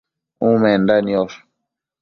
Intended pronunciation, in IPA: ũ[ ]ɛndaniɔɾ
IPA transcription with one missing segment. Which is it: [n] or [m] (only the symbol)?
m